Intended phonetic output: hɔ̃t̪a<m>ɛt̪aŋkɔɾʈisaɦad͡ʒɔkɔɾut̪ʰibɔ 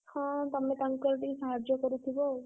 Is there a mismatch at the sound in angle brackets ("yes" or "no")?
no